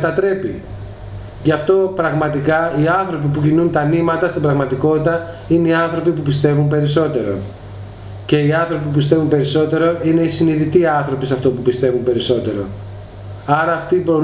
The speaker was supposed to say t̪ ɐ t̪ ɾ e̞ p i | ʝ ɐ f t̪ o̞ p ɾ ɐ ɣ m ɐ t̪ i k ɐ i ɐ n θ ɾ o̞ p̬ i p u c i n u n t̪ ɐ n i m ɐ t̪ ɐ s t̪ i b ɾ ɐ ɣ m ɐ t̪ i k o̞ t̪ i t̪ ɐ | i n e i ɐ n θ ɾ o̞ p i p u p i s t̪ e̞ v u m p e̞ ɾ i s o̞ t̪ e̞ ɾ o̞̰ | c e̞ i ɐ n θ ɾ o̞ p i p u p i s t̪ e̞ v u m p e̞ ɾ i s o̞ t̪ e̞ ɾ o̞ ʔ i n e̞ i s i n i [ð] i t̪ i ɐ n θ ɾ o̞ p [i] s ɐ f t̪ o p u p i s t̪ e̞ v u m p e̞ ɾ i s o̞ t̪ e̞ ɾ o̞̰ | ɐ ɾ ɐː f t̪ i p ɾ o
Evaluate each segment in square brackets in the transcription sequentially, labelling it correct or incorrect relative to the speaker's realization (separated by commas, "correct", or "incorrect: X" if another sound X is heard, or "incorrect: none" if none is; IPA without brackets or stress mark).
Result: correct, correct